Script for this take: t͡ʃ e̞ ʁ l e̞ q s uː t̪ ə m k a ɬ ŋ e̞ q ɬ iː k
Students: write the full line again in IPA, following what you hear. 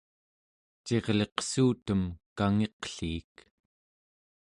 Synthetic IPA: t͡ʃ e̞ ʁ l e̞ q s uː t̪ ə m k a ŋ e̞ q ɬ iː k